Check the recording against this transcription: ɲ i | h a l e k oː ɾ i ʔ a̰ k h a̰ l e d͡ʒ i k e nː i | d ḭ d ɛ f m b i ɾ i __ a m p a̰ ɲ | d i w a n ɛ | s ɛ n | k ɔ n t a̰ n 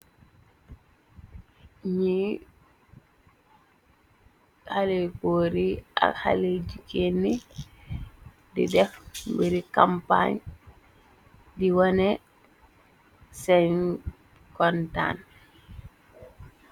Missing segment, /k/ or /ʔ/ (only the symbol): k